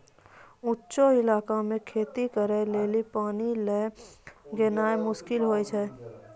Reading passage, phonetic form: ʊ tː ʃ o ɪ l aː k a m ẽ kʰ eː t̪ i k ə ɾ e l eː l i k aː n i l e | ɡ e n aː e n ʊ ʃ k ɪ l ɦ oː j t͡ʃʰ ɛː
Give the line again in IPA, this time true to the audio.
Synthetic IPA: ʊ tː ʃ o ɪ l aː k a m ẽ kʰ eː t̪ i k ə ɾ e l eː l i p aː n i l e | ɡ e n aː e m ʊ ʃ k ɪ l ɦ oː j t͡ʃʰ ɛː